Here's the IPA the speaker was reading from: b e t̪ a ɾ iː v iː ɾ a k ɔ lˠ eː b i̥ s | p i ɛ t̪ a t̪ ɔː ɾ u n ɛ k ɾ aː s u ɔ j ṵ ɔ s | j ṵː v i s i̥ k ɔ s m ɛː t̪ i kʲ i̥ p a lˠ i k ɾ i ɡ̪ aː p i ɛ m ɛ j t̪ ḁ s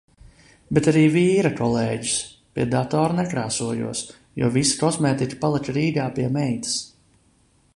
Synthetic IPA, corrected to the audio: b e t̪ a ɾ iː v iː ɾ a k ɔ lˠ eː ɟ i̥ s | p i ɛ d̪ a t̪ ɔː ɾ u n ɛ k ɾ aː s u ɔ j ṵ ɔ s | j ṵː v i s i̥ k ɔ s m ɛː t̪ i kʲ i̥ p a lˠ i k ɾ iː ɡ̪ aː p i ɛ m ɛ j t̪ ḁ s